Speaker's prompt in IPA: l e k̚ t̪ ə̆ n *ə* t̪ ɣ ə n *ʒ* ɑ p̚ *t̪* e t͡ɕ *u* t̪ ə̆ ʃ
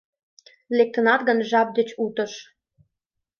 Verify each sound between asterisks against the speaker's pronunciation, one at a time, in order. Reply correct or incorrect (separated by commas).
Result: incorrect, correct, incorrect, correct